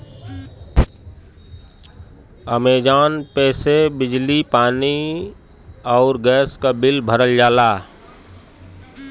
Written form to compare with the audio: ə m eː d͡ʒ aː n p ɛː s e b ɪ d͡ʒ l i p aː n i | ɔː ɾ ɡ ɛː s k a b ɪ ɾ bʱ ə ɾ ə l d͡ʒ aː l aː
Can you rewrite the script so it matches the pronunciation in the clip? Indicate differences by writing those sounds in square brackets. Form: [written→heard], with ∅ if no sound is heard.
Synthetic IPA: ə m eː d͡ʒ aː n p ɛː s e b ɪ d͡ʒ l i p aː n i | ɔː ɾ ɡ ɛː s k a b ɪ [ɾ→l] bʱ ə ɾ ə l d͡ʒ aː l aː